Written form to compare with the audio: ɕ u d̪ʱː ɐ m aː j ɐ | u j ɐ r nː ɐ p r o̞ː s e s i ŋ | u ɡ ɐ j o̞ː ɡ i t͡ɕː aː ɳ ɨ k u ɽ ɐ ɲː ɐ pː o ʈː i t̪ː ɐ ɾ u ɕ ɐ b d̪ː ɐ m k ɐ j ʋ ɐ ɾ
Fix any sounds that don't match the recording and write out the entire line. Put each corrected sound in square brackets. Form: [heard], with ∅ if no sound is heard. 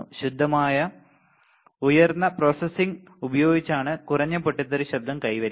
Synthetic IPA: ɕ u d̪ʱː ɐ m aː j ɐ | u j ɐ r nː ɐ p r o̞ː s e s i ŋ | u [b] ɐ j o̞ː ɡ i t͡ɕː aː ɳ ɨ k u [r] ɐ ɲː ɐ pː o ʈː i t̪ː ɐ ɾ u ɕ ɐ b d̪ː ɐ m k ɐ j ʋ ɐ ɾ